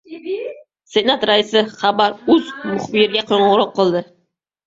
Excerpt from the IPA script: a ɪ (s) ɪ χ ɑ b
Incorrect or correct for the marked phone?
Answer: correct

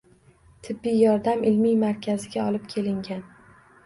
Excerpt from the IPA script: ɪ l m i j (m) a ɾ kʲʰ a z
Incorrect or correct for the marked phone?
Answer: correct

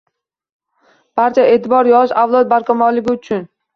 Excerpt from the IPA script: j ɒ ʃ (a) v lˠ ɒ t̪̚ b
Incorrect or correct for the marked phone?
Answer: correct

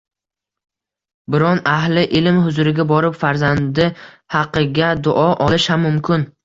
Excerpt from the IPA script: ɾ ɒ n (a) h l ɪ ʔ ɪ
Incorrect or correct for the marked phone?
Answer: correct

